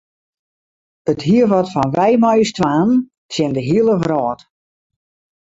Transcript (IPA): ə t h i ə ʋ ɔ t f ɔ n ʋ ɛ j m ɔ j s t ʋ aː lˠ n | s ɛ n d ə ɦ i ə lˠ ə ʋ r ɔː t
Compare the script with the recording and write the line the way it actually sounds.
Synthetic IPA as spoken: ə t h i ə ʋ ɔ t f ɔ n ʋ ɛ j m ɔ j s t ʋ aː n | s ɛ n d ə ɦ i ə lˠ ə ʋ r ɔː t